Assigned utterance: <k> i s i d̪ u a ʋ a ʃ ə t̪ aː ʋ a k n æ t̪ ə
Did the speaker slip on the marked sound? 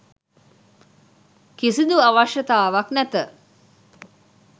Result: no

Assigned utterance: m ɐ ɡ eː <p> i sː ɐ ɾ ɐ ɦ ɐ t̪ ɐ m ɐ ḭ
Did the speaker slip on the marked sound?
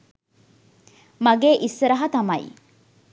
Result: yes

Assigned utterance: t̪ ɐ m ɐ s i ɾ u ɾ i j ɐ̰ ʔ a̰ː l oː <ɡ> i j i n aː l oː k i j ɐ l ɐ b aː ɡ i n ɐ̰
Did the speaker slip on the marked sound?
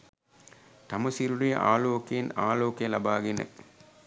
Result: yes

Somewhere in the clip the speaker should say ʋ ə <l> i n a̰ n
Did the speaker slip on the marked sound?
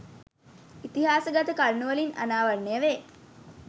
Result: no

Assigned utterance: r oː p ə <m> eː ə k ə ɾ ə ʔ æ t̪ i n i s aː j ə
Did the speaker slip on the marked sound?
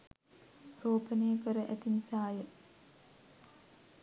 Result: yes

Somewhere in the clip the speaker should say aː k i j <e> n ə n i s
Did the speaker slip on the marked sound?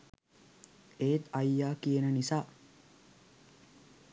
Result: no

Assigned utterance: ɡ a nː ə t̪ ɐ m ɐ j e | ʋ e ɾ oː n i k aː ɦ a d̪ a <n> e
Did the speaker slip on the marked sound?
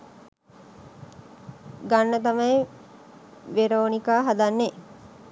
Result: yes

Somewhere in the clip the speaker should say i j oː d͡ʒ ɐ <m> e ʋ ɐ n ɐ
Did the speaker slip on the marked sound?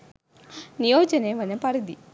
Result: yes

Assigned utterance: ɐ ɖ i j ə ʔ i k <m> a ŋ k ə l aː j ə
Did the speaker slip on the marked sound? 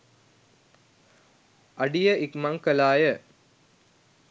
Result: no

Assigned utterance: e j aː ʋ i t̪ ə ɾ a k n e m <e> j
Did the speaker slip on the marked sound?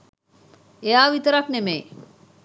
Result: no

